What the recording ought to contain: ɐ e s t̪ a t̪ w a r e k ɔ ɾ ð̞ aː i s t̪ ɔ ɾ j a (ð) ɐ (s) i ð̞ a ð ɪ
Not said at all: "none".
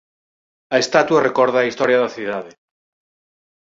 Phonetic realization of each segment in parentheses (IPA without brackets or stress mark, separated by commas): ð, θ